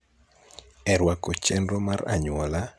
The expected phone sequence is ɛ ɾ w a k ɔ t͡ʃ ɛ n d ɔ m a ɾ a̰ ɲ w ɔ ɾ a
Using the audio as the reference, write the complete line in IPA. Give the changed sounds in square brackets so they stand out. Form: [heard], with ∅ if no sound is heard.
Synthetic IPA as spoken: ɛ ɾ w a k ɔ t͡ʃ ɛ n d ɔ m a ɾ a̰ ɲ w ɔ [l] a